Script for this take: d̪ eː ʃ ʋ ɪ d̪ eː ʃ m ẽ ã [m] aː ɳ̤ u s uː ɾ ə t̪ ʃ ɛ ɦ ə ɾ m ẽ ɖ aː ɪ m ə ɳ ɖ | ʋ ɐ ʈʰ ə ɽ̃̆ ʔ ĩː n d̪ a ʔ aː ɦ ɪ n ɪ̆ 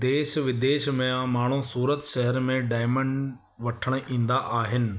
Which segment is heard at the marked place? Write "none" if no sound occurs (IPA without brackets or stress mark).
m